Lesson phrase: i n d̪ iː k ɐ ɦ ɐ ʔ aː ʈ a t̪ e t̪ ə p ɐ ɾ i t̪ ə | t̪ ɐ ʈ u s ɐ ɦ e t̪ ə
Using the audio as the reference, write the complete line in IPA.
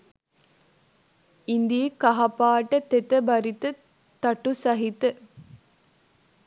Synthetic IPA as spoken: i n d̪ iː k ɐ ɦ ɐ p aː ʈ ə t̪ e t̪ ə b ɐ ɾ i t̪ ə | t̪ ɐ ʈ u s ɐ ɦ i t̪ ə